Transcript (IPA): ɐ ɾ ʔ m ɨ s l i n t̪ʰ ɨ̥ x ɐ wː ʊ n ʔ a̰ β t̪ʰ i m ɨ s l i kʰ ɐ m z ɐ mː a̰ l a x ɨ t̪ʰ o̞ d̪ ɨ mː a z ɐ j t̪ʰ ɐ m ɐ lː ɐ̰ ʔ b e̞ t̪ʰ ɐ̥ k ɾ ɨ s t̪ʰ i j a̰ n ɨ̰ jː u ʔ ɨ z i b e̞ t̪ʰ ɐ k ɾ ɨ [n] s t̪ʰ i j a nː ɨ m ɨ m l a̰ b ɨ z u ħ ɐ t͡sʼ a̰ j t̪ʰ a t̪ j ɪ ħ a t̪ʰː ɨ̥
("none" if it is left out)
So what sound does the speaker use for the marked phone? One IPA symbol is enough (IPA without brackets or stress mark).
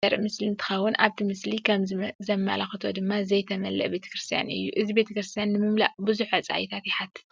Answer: none